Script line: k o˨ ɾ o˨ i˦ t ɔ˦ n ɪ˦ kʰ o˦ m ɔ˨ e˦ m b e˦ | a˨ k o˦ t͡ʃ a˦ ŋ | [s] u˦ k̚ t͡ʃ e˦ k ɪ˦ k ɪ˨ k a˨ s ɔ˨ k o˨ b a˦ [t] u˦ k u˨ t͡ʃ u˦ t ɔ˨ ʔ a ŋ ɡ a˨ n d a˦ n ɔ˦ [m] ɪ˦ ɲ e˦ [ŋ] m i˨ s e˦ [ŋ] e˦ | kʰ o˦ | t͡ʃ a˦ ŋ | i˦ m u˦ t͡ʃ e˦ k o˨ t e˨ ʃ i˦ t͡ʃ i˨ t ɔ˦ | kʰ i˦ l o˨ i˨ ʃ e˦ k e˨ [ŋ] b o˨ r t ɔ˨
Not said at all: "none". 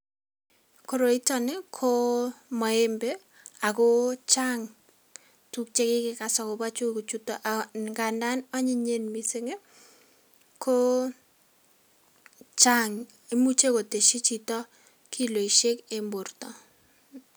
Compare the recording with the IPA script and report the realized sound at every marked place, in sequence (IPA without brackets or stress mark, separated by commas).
t, t͡ʃ, ɲ, n, ŋ, m